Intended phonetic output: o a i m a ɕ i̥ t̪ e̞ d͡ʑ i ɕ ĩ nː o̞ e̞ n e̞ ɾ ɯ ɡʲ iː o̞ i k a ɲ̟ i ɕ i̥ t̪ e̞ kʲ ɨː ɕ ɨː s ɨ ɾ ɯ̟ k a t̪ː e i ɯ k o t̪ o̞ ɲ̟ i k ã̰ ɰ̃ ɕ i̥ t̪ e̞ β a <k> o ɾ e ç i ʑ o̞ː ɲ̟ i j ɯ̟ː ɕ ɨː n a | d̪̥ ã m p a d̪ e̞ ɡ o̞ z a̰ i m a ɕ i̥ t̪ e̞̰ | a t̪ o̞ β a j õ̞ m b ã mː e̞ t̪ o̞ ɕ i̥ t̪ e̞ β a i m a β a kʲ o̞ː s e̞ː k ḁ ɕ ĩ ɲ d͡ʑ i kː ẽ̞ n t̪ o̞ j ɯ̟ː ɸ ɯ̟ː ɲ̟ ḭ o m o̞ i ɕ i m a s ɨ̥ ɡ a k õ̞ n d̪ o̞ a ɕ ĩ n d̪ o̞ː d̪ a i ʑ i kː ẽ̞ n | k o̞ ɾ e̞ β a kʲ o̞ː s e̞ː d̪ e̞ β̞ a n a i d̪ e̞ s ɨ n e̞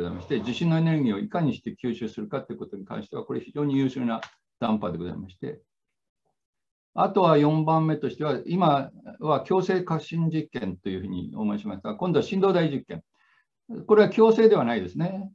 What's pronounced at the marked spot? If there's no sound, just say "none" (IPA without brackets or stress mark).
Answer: k